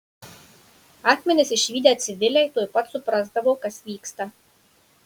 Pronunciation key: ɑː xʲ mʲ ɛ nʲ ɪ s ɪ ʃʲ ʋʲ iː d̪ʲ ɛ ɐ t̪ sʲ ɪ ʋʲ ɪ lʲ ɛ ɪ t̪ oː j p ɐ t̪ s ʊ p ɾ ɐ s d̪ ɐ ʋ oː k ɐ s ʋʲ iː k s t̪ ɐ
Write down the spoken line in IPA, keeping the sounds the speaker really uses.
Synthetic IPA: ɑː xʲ mʲ ɛ nʲ ɪ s ɪ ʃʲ ʋʲ iː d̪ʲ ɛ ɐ t̪ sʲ ɪ ʋʲ ɪ lʲ ɛ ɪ t̪ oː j p ɐ t̪ s ʊ p ɾ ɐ z d̪ ɐ ʋ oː k ɐ s ʋʲ iː k s t̪ ɐ

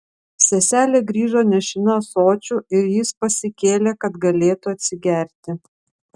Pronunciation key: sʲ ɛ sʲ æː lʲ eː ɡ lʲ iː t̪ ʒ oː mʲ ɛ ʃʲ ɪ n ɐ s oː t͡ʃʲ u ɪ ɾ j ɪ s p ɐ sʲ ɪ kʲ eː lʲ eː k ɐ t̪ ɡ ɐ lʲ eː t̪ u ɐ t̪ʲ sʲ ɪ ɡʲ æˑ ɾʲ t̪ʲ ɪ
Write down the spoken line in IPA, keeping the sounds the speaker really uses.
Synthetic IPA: sʲ ɛ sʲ æː lʲ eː ɡ ɾʲ iː ʒ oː nʲ ɛ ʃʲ ɪ n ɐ s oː t͡ʃʲ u ɪ ɾ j ɪ s p ɐ sʲ ɪ kʲ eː lʲ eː k ɐ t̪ ɡ ɐ lʲ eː t̪ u ɐ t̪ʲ sʲ ɪ ɡʲ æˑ ɾʲ t̪ʲ ɪ

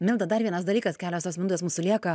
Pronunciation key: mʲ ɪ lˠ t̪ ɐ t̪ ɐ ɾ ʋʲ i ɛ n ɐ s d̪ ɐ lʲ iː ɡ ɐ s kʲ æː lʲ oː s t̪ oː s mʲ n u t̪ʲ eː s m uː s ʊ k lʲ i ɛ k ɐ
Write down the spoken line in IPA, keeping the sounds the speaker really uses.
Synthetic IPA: mʲ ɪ lˠ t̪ ɐ d̪ ɐ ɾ ʋʲ i ɛ n ɐ s d̪ ɐ lʲ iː k ɐ s kʲ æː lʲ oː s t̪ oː s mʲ n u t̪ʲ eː s m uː s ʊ lʲ i ɛ k ɐ

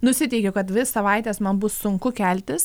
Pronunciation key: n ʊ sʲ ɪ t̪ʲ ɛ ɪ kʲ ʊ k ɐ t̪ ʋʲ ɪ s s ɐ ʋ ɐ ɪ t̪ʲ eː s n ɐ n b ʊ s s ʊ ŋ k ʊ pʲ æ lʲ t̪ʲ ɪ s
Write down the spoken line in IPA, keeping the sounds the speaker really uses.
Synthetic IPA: n ʊ sʲ ɪ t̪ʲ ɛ ɪ kʲ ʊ k ɐ t̪ ʋʲ ɪ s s ɐ ʋ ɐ ɪ t̪ʲ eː s m ɐ n b ʊ s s ʊ ŋ k ʊ kʲ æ lʲ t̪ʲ ɪ s

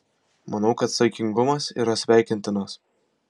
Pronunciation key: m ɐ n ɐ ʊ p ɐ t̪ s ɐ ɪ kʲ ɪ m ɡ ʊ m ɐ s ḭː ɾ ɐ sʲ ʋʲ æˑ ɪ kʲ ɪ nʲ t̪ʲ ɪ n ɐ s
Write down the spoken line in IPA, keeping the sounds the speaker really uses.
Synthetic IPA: m ɐ n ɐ ʊ k ɐ t̪ s ɐ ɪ kʲ ɪ ŋ ɡ ʊ m ɐ s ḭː ɾ ɐ sʲ ʋʲ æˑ ɪ kʲ ɪ nʲ t̪ʲ ɪ n ɐ s

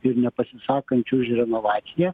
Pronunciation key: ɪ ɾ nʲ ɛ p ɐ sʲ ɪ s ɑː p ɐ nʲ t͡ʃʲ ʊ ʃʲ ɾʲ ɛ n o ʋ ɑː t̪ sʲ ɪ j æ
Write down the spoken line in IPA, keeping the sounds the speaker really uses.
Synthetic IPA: ɪ ɾ nʲ ɛ p ɐ sʲ ɪ s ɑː k ɐ nʲ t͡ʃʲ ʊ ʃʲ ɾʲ ɛ n o ʋ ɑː t̪ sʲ ɪ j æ

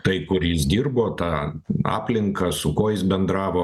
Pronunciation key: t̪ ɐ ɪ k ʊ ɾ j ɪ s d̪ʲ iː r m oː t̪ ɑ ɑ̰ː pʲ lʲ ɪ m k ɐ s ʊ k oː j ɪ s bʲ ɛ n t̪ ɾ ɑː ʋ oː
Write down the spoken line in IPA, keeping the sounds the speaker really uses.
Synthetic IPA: t̪ ɐ ɪ k ʊ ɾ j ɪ s d̪ʲ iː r b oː t̪ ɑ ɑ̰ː pʲ lʲ ɪ ŋ k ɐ s ʊ k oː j ɪ s bʲ ɛ n d̪ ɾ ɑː ʋ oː

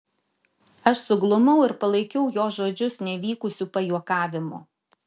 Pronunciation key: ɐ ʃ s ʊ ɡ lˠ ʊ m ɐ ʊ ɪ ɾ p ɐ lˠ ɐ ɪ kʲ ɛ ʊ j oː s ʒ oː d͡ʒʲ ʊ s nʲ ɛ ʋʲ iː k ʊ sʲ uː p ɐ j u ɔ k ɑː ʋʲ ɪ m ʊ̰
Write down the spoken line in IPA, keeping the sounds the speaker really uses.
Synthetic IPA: ɐ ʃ s ʊ ɡ lˠ ʊ m ɐ ʊ ɪ ɾ p ɐ lˠ ɐ ɪ kʲ ɛ ʊ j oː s ʒ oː d͡ʒʲ ʊ s nʲ ɛ ʋʲ iː k ʊ sʲ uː p ɐ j u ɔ k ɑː ʋʲ ɪ m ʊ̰

